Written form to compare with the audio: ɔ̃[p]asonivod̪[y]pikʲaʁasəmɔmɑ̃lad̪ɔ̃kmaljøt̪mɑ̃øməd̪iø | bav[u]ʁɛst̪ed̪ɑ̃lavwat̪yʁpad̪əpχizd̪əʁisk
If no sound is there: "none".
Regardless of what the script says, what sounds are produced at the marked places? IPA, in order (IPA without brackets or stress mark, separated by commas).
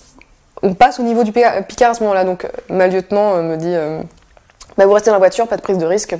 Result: p, y, u